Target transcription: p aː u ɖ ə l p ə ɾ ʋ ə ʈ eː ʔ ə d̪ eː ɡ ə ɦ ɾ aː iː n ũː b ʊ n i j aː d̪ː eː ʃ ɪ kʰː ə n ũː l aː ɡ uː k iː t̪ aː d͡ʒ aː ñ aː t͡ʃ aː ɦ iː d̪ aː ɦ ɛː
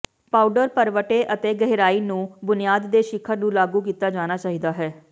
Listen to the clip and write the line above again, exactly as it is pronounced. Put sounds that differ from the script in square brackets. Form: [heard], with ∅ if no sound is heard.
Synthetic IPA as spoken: p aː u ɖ ə [ɾ] p ə ɾ ʋ ə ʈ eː ʔ ə [t̪] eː ɡ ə ɦ ɾ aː iː n ũː b ʊ n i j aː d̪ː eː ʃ ɪ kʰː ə n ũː l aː ɡ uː k iː t̪ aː d͡ʒ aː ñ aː t͡ʃ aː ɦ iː d̪ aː ɦ ɛː